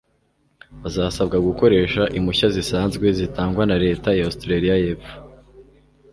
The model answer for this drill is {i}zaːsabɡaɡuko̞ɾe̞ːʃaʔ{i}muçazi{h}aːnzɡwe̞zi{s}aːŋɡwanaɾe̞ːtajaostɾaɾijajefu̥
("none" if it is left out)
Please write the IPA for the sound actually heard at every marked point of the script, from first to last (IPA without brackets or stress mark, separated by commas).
a, i, s, t